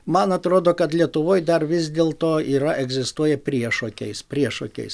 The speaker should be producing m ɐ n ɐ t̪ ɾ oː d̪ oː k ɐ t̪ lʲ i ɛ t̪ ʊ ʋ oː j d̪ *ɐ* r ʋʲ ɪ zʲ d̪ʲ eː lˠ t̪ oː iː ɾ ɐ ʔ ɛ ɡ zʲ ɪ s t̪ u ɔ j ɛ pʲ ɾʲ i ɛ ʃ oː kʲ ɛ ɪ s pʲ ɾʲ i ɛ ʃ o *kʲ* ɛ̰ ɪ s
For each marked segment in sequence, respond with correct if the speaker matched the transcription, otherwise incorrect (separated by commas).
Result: correct, correct